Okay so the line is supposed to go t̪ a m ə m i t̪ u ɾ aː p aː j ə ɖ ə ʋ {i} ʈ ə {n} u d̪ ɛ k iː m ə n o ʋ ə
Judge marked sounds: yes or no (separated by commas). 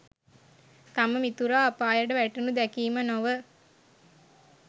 no, yes